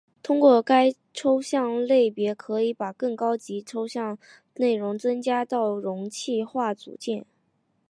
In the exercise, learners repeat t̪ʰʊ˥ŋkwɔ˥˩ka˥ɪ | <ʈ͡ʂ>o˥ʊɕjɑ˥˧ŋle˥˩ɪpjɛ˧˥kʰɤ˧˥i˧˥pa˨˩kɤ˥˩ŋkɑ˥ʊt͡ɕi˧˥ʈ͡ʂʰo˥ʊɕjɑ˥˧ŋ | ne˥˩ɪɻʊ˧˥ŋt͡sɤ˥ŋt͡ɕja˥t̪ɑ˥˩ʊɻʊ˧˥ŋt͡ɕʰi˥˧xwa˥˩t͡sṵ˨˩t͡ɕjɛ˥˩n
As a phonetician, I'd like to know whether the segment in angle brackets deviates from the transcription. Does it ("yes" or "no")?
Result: yes